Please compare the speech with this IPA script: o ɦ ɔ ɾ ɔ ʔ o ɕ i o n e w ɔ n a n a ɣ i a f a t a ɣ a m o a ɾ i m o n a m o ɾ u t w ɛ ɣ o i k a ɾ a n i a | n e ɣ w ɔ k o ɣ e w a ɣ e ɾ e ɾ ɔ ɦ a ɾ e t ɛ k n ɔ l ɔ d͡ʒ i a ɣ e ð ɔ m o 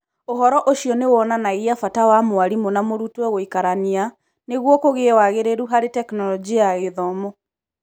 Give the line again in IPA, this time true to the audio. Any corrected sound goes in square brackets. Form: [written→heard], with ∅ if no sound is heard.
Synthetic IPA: o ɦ ɔ ɾ ɔ ʔ o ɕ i [o→ɔ] n e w ɔ n a n a ɣ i a f a t a [ɣ→w] a m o a ɾ i m o n a m o ɾ u t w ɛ ɣ o i k a ɾ a n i a | n e ɣ w ɔ k o ɣ e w a ɣ e ɾ e ɾ [ɔ→u] ɦ a ɾ e t ɛ k n ɔ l ɔ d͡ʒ i a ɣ e ð ɔ m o